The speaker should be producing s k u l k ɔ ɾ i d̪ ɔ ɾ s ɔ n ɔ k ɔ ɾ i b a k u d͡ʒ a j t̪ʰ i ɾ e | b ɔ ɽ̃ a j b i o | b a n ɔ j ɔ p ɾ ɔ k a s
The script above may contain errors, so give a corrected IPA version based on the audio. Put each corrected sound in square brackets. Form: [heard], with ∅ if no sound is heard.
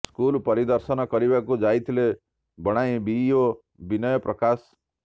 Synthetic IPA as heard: s k u l [p] ɔ ɾ i d̪ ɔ ɾ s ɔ n ɔ k ɔ ɾ i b a k u d͡ʒ a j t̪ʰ i [l] e | b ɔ ɽ̃ a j b i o | b [i] n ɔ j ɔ p ɾ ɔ k a s